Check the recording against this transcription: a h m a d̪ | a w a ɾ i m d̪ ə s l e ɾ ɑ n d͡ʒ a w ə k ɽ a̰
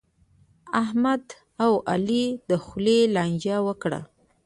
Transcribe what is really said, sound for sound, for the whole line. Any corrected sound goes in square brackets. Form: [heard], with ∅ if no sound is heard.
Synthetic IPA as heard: a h m a d̪ | a w a [l] i [∅] d̪ ə [x] l e [l] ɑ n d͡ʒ a w ə k ɽ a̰